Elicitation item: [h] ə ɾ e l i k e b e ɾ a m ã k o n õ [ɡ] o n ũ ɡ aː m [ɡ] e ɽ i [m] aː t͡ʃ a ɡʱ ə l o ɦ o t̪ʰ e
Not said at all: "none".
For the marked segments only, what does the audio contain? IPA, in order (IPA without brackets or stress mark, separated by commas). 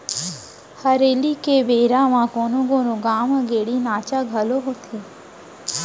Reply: h, ɡ, ɡ, n